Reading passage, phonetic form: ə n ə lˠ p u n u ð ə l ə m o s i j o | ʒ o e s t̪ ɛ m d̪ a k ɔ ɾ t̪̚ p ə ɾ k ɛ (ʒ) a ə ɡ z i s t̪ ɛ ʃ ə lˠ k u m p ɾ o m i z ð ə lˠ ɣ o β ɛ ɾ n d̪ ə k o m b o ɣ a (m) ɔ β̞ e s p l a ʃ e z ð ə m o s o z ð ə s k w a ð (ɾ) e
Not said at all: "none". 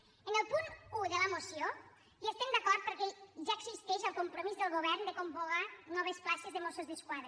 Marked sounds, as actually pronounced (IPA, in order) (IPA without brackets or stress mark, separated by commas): ʒ, n, ɾ